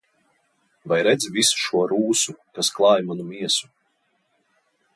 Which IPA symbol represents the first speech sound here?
v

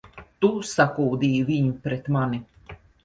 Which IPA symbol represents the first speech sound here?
t̪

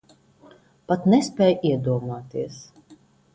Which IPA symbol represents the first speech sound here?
p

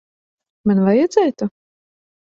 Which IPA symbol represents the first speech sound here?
m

